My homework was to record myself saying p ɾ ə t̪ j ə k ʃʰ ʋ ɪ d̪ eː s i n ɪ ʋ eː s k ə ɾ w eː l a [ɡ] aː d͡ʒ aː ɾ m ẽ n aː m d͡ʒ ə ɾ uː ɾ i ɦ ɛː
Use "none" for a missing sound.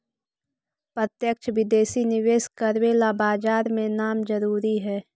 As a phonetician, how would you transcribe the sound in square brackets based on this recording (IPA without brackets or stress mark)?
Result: b